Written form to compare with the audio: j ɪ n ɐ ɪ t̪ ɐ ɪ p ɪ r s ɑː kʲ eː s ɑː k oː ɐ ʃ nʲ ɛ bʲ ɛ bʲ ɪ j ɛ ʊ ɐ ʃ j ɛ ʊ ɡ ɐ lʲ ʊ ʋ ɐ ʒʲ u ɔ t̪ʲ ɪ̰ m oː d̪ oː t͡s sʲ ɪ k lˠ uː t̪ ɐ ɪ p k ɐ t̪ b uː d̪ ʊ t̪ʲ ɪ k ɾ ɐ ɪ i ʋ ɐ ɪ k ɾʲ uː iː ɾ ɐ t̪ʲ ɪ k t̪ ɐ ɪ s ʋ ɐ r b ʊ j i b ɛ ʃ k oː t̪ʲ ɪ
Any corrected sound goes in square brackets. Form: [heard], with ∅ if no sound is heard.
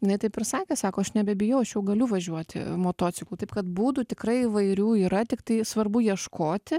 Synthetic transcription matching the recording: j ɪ n ɐ ɪ t̪ ɐ ɪ p ɪ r s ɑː kʲ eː s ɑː k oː ɐ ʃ nʲ ɛ bʲ ɛ bʲ ɪ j ɛ ʊ ɐ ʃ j ɛ ʊ ɡ ɐ lʲ ʊ ʋ ɐ ʒʲ u ɔ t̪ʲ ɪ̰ m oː [t̪] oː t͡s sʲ ɪ k lˠ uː t̪ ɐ ɪ p k ɐ t̪ b uː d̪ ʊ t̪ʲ ɪ k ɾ ɐ ɪ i ʋ ɐ ɪ [∅] ɾʲ uː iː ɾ ɐ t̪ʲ ɪ k t̪ ɐ ɪ s ʋ ɐ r b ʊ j i [∅] ɛ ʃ k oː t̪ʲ ɪ